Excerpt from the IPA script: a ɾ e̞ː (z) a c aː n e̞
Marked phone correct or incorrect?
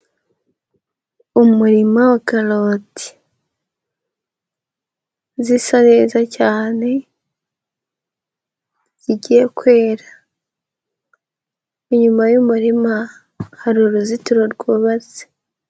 correct